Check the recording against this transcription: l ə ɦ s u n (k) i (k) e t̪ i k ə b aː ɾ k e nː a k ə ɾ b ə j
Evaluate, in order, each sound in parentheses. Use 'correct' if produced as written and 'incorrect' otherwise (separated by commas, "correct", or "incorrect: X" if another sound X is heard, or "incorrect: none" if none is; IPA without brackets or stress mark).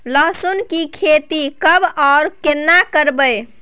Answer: correct, incorrect: kʰ